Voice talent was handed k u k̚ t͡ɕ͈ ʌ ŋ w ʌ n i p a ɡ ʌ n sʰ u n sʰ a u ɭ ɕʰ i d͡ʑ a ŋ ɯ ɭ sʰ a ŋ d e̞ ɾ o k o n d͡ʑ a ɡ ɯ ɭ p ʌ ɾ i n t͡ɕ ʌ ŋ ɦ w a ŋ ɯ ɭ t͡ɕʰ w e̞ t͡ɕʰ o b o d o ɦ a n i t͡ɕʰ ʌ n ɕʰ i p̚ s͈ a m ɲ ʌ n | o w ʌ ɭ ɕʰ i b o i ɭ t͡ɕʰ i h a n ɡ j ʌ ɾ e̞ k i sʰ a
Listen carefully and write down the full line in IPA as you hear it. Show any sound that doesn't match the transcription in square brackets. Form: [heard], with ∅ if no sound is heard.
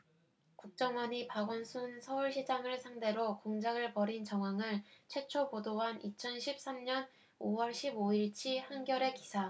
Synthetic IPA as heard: k u k̚ t͡ɕ͈ ʌ ŋ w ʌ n i p a ɡ ʌ n sʰ u n sʰ [ʌ] u ɭ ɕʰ i d͡ʑ a ŋ ɯ ɭ sʰ a ŋ d e̞ ɾ o k o [ŋ] d͡ʑ a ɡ ɯ ɭ p ʌ ɾ i n t͡ɕ ʌ ŋ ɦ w a ŋ ɯ ɭ t͡ɕʰ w e̞ t͡ɕʰ o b o d o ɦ a n i t͡ɕʰ ʌ n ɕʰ i p̚ s͈ a m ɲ ʌ n | o w ʌ ɭ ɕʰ i b o i ɭ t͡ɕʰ i h a n ɡ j ʌ ɾ e̞ k i sʰ a

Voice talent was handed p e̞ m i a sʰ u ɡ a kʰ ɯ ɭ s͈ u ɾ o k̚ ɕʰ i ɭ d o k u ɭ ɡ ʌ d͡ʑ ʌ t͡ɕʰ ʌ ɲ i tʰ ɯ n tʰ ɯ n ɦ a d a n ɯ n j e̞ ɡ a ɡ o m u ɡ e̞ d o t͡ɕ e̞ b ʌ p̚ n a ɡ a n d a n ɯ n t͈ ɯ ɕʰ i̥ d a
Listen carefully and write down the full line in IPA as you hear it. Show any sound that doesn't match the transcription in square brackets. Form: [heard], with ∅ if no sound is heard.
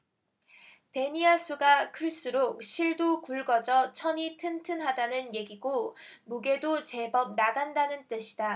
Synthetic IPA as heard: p e̞ [ɲ] i a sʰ u ɡ a kʰ ɯ ɭ s͈ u ɾ o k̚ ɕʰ i ɭ d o k u ɭ ɡ ʌ d͡ʑ ʌ t͡ɕʰ ʌ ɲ i tʰ ɯ n tʰ ɯ n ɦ a d a n ɯ n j e̞ ɡ [i] ɡ o m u ɡ e̞ d o t͡ɕ e̞ b ʌ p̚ n a ɡ a n d a n ɯ n t͈ ɯ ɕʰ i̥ d a

